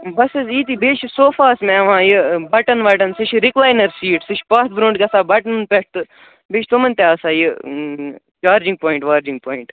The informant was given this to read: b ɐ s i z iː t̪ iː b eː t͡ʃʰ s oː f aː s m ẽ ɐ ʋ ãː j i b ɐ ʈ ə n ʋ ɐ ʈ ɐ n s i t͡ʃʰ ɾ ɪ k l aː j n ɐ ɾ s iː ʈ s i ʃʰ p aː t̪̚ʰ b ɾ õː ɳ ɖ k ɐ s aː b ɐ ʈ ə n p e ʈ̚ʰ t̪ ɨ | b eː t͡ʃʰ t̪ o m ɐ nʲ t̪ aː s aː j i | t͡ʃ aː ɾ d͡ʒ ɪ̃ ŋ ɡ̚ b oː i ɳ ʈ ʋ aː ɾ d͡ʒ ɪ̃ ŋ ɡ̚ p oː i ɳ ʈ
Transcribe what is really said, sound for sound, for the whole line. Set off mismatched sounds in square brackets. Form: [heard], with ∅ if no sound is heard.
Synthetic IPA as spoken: b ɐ s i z iː t̪ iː b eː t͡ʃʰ s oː f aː s m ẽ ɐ ʋ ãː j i b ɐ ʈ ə n ʋ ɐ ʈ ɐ n s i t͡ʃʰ ɾ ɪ k l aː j n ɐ ɾ s iː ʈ s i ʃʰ p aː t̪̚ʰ b ɾ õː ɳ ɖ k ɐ s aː b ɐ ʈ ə n p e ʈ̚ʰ t̪ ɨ | b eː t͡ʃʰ t̪ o m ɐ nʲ t̪ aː s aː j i | t͡ʃ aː ɾ d͡ʒ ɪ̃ ŋ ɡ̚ [p] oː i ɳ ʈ ʋ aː ɾ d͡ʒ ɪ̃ ŋ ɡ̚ p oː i ɳ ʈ